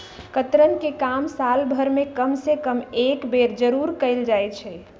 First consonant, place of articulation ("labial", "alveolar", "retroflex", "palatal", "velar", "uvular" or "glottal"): velar